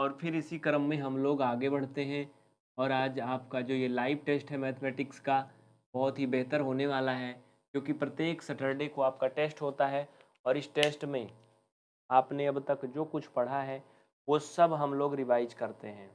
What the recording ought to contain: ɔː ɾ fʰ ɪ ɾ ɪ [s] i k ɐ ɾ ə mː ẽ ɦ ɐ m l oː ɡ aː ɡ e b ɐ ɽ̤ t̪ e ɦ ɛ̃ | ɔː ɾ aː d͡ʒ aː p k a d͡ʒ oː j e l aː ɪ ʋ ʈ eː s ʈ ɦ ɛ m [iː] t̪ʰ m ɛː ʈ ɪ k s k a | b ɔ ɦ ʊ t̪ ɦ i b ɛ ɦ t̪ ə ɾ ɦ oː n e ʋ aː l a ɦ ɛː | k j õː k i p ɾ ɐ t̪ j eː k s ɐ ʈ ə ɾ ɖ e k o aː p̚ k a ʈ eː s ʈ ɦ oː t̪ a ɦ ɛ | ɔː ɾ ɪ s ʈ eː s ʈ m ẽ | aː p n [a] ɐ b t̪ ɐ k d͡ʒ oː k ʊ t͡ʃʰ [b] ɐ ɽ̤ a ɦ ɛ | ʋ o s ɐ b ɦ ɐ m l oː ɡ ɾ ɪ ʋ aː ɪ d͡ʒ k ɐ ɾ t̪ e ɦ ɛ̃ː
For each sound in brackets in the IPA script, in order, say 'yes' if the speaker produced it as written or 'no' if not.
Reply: yes, no, no, no

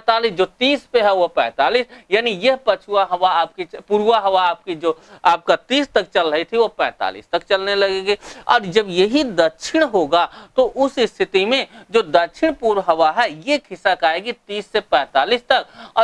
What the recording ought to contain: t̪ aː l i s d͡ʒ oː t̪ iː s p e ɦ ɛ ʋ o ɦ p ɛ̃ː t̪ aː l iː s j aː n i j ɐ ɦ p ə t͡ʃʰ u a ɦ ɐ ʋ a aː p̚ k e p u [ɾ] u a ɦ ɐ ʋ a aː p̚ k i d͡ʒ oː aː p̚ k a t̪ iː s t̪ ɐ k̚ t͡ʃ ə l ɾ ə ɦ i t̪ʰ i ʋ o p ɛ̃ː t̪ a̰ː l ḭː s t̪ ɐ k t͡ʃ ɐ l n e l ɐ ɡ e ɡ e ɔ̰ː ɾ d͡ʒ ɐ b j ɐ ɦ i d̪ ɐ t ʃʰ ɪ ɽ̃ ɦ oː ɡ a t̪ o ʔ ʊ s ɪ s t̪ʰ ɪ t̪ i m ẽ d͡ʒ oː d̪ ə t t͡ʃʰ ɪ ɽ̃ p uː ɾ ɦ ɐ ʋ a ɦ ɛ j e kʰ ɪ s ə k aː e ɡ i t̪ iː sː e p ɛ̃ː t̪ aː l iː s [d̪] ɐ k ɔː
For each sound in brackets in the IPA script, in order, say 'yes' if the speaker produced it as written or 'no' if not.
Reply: yes, no

